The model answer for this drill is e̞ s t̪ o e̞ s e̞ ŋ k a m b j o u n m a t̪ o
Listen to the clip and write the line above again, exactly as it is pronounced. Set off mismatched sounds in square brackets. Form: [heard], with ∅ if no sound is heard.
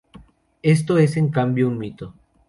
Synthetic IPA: e̞ s t̪ o e̞ s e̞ ŋ k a m b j o u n m [i] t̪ o